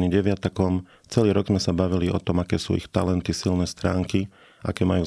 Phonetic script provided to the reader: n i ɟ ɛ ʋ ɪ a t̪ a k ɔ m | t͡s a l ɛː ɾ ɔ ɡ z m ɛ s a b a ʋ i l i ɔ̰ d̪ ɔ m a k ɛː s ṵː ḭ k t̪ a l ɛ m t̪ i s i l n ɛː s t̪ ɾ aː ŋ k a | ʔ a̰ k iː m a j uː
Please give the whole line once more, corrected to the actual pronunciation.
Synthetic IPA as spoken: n i ɟ ɛ ʋ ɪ a t̪ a k ɔ m | t͡s ɛ l iː ɾ ɔ ɡ z m ɛ s a b a ʋ i l i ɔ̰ t̪ ɔ m a k ɛː s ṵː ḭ x t̪ a l ɛ n t̪ i s i l n ɛː s t̪ ɾ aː ŋ k i | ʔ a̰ k ɛː m a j uː